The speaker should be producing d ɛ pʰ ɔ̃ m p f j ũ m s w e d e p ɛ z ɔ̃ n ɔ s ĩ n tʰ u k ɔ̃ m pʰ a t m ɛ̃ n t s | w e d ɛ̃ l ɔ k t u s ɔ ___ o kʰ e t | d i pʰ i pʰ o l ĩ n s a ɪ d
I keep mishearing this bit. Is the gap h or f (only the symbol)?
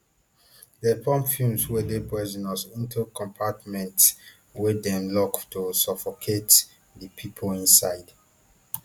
f